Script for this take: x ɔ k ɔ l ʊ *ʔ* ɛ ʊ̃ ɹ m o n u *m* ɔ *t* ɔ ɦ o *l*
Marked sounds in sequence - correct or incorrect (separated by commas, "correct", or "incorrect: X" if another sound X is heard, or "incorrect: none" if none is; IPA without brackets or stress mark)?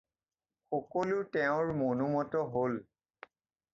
incorrect: t, correct, correct, correct